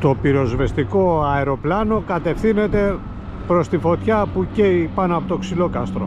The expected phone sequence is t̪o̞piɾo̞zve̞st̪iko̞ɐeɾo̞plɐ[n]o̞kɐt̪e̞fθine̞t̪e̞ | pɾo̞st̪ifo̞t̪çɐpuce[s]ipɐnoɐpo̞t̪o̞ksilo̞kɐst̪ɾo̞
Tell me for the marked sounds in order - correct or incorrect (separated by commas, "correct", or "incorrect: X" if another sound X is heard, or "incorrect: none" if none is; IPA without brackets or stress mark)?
correct, incorrect: none